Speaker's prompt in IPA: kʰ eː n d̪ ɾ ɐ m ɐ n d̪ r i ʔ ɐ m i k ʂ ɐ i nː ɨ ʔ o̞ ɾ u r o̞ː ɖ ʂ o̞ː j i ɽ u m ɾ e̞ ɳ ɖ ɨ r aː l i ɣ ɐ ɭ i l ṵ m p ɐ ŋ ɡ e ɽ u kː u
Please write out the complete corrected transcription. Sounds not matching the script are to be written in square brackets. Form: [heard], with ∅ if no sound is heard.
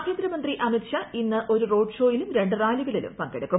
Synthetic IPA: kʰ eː n d̪ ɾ ɐ m ɐ n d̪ r i ʔ ɐ m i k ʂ ɐ i nː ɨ ʔ o̞ ɾ u r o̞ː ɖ ʂ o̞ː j i [l] u m ɾ e̞ ɳ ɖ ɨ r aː l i ɣ ɐ ɭ i l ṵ m p ɐ ŋ ɡ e ɽ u kː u